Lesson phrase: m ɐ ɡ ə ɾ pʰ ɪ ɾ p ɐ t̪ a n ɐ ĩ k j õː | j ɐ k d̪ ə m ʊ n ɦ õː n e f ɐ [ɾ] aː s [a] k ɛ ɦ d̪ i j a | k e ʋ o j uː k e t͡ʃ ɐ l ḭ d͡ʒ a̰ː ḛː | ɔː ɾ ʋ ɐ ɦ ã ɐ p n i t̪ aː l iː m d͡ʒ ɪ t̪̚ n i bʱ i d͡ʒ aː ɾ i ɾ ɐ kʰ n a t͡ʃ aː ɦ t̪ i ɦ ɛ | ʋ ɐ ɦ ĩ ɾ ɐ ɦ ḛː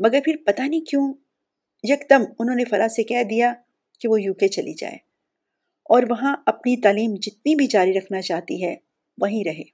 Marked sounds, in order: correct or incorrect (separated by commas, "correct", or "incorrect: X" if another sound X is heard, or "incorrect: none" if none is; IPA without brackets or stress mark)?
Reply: correct, incorrect: e